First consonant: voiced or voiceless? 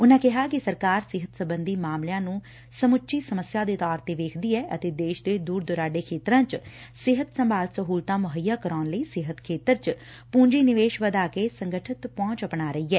voiced